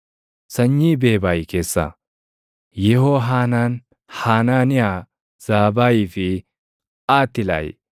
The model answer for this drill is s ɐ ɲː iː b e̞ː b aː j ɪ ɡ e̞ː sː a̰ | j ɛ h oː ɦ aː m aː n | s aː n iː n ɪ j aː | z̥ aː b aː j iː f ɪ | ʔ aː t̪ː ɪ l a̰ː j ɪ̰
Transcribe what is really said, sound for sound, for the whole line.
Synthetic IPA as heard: s ɐ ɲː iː b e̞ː b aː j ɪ k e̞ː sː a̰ | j ɛ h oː ɦ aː n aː n | h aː n aː n ɪ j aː | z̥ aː b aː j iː f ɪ | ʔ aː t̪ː ɪ l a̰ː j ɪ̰